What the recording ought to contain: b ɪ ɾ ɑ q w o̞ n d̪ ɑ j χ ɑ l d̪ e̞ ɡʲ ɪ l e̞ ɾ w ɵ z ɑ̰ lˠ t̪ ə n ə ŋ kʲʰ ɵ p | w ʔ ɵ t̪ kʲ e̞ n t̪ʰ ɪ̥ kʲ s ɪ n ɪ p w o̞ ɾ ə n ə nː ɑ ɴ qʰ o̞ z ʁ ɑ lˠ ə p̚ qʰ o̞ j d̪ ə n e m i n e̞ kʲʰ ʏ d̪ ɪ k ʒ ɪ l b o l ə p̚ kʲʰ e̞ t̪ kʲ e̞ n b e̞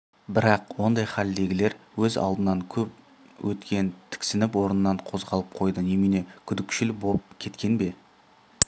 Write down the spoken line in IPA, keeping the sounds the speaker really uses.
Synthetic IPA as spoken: b ɪ ɾ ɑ q w o̞ n d̪ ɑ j χ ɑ l d̪ e̞ ɡʲ ɪ l e̞ ɾ w ɵ z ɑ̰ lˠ d̪ ə n ɑ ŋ kʲʰ ɵ p | w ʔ ɵ t̪ kʲ e̞ n t̪ʰ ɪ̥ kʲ s ɪ n ɪ p w o̞ ɾ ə n ə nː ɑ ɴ qʰ o̞ z ʁ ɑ lˠ ə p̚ qʰ o̞ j d̪ ə n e m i n e̞ kʲʰ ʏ d̪ ɪ k ʃ ɪ l b o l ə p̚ kʲʰ e̞ t̪ kʲ e̞ n b e̞

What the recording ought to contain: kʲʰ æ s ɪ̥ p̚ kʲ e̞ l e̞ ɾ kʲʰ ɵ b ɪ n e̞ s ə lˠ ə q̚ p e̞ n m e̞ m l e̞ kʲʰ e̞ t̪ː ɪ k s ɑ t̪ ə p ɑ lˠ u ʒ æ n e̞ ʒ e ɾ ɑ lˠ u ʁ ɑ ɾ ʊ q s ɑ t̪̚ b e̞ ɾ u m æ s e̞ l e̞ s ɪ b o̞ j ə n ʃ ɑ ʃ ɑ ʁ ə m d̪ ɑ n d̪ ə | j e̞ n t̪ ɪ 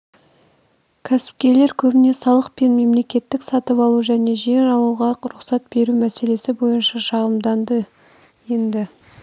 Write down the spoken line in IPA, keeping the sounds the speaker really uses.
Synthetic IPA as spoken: kʲʰ æ s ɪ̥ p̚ kʲ e̞ l e̞ ɾ kʲʰ ɵ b ɪ n e̞ s ɑ lˠ ə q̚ p e̞ n m e̞ m l e̞ kʲ e̞ t̪ː ɪ k s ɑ t̪ ə p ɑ lˠ u ʒ æ n e̞ ʒ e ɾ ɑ lˠ u ʁ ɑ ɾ ʊ q s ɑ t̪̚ b e̞ ɾ u m æ s e̞ l e̞ s ɪ b o̞ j ə n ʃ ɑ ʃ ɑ ʁ ə m d̪ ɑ n d̪ ə | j e̞ n d̪ ɪ

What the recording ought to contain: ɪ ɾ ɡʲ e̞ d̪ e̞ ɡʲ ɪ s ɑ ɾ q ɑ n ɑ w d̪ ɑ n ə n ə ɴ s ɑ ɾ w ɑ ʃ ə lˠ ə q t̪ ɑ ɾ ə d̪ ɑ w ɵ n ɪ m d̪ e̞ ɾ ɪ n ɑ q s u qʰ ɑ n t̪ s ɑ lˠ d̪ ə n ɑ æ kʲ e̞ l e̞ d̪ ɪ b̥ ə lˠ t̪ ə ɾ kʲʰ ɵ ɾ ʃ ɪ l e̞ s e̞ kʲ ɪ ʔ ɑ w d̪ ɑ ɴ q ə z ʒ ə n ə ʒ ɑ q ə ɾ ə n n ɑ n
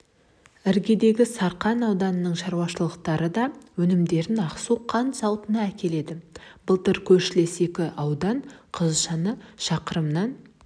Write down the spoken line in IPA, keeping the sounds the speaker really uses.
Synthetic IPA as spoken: ɪ ɾ ɡʲ e̞ d̪ e̞ ɡʲ ɪ s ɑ ɾ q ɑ n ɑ w d̪ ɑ n ə n ə ɴ ʃ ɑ ɾ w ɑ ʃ ə lˠ ə q t̪ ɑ ɾ ə d̪ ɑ w ɵ n ɪ m d̪ e̞ ɾ ɪ n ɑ q s u qʰ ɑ n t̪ s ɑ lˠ t̪ ə n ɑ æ kʲ e̞ l e̞ d̪ ɪ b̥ ə lˠ t̪ ə ɾ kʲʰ ɵ ɾ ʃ ɪ l e̞ s e̞ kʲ ɪ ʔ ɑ w d̪ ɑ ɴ qʰ ə z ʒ ɑ n ə ʃ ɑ q ə ɾ ə m n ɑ n

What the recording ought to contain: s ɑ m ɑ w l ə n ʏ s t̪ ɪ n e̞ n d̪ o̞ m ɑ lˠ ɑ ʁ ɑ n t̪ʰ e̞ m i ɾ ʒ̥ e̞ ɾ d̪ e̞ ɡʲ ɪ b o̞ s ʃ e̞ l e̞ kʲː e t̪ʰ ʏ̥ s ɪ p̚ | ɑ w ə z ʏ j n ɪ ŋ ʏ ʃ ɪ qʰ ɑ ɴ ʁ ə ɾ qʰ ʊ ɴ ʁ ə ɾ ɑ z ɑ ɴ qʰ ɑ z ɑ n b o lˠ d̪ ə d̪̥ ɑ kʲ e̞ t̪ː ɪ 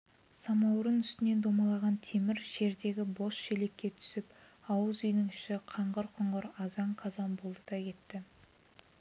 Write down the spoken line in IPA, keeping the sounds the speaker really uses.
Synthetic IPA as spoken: s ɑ m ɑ w ɾ ə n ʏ s t̪ ɪ n e̞ n d̪ o̞ m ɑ lˠ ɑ ʁ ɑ n t̪ʰ e̞ m ɪ ɾ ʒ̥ e̞ ɾ d̪ e̞ ɡʲ ɪ b o̞ s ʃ e̞ l e̞ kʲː e t̪ʰ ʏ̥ s ɪ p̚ | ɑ w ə z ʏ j n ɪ ŋ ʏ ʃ ɪ qʰ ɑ ɴ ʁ ə ɾ qʰ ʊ ɴ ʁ ə ɾ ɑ z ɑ ɴ qʰ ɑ z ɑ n b o lˠ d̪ ə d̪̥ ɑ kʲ e̞ t̪ː ɪ

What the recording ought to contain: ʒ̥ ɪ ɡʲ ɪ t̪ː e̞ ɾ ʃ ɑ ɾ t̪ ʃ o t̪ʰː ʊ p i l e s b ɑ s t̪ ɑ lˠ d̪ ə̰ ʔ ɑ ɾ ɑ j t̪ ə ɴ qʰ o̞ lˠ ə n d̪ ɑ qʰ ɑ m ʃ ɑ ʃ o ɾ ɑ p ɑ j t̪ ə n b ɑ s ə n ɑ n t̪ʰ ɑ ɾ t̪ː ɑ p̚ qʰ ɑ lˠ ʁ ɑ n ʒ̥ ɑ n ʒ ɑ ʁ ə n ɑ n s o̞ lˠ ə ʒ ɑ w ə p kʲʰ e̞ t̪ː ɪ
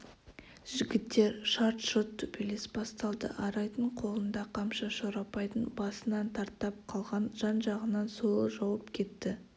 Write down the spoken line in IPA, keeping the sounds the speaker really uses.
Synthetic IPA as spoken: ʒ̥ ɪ ɡʲ ɪ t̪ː e̞ ɾ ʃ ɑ ɾ t̪ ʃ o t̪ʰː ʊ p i l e s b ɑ s t̪ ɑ lˠ d̪ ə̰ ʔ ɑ ɾ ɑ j t̪ ə ɴ qʰ o̞ lˠ ə n d̪ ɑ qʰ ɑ m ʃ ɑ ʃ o ɾ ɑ p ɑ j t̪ ə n b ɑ s ə n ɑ n t̪ʰ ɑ ɾ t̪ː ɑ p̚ qʰ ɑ lˠ ʁ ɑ n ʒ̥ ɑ n ʒ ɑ ʁ ə n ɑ n s o̞ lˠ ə ʒ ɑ w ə p kʲʰ e̞ t̪ː ɪ

